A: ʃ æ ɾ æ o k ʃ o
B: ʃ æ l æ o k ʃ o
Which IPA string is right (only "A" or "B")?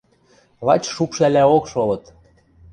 B